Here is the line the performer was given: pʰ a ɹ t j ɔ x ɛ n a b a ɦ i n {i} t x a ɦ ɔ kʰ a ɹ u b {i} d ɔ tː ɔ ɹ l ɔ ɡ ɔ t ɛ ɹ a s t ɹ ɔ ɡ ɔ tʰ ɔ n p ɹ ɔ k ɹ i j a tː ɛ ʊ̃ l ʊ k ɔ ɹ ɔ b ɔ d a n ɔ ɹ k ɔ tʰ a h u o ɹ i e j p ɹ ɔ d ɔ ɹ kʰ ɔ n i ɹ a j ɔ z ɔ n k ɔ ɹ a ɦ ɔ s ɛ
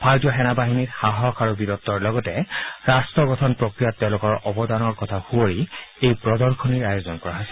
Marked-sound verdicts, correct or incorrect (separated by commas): correct, correct